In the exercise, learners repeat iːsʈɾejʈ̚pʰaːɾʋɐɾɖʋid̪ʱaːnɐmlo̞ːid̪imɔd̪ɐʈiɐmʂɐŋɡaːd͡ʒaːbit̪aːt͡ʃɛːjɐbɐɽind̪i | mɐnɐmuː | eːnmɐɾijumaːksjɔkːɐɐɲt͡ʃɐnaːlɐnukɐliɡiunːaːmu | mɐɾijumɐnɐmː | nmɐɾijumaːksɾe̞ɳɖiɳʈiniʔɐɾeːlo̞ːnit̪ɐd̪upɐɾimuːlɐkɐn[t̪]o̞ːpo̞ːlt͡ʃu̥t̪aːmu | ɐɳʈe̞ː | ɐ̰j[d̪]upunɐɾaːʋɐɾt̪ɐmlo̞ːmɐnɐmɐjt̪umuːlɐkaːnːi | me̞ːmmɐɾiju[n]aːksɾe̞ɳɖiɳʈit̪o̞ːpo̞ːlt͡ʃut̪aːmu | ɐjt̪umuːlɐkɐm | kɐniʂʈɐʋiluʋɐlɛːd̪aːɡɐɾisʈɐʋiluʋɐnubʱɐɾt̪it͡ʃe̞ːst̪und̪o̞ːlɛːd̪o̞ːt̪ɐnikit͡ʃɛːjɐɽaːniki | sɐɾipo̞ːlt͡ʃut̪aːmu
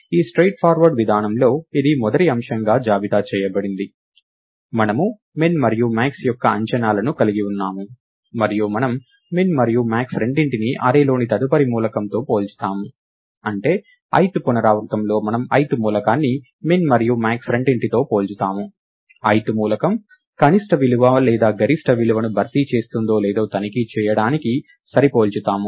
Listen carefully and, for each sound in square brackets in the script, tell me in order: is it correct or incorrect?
correct, incorrect, incorrect

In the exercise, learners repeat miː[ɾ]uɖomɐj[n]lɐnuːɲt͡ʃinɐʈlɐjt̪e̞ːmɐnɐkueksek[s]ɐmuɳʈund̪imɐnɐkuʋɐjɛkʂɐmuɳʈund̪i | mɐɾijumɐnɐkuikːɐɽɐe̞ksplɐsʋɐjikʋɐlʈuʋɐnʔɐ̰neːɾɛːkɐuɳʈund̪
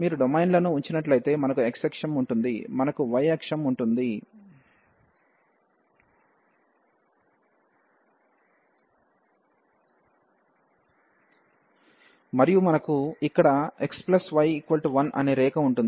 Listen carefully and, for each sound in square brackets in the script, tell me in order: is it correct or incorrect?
correct, correct, incorrect

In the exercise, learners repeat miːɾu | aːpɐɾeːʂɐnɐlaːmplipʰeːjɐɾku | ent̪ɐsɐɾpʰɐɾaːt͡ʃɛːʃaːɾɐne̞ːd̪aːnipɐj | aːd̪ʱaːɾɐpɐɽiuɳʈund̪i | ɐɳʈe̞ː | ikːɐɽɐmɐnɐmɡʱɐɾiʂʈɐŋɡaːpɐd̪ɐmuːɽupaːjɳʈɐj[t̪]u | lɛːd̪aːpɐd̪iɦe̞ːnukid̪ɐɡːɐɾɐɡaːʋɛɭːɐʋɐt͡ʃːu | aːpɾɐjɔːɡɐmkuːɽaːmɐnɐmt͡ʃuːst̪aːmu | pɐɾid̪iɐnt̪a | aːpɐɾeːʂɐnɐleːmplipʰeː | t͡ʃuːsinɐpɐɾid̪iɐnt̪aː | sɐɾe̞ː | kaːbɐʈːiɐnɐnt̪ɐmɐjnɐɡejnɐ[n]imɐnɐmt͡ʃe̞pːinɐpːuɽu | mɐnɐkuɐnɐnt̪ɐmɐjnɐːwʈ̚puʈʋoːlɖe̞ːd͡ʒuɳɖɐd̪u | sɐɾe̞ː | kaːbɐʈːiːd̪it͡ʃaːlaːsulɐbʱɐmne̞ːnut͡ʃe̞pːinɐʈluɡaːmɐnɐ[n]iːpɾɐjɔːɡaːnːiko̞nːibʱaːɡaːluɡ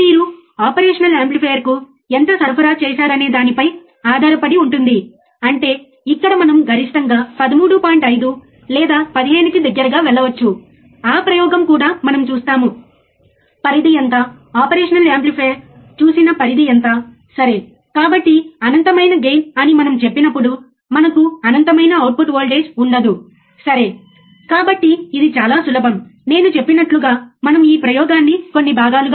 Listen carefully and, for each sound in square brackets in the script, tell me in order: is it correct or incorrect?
incorrect, correct, incorrect

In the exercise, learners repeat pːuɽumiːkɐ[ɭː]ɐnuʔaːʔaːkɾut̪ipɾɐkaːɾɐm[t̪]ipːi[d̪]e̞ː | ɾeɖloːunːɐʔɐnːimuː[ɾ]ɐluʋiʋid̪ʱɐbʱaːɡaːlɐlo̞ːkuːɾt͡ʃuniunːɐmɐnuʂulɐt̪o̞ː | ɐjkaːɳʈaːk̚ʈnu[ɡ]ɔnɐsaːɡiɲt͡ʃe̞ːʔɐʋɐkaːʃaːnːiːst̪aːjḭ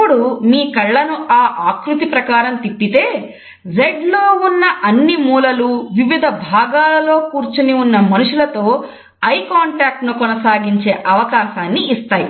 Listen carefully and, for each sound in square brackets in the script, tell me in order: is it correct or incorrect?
correct, correct, incorrect, incorrect, incorrect

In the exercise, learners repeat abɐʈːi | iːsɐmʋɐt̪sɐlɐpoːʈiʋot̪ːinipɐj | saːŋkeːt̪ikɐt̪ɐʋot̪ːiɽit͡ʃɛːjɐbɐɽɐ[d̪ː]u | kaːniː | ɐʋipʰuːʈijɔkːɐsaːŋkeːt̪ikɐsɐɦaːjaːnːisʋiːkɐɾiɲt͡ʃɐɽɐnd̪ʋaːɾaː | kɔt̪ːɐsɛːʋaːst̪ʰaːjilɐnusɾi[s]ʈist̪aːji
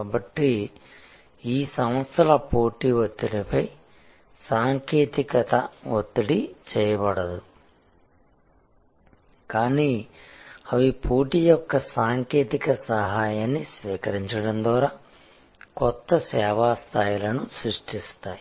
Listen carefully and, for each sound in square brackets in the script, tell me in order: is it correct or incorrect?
incorrect, incorrect

